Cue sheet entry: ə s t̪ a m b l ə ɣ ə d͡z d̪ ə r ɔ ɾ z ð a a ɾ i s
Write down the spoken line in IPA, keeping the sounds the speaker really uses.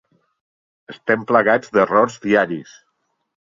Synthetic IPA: ə s t̪ ɛ m p l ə ɣ a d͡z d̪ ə r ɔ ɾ z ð i a ɾ i s